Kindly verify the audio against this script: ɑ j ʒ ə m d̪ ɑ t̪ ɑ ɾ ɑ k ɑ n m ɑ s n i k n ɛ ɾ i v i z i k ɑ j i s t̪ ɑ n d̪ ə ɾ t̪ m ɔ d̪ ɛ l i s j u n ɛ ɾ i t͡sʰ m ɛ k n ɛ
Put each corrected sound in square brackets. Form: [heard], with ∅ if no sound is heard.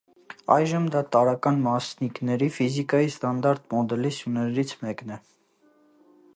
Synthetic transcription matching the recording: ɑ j ʒ ə m d̪ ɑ t̪ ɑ ɾ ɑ k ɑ n m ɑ s n i k n ɛ ɾ i [f] i z i k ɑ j i s t̪ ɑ n d̪ [ɑ] ɾ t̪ m ɔ d̪ ɛ l i s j u n ɛ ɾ i t͡sʰ m ɛ k n ɛ